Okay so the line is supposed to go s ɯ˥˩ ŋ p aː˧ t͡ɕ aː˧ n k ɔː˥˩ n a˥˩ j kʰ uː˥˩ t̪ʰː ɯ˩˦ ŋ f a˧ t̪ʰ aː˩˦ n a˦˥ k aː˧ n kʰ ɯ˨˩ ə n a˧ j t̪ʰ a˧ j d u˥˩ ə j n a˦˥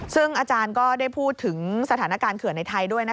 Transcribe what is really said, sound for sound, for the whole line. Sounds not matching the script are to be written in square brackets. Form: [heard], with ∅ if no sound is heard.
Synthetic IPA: s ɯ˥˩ ŋ [ʔ] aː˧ t͡ɕ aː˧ n k ɔː˥˩ [d] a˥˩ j [pʰ] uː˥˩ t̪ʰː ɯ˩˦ ŋ [s] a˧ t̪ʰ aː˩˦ n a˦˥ k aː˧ n kʰ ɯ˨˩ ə n a˧ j t̪ʰ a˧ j d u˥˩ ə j n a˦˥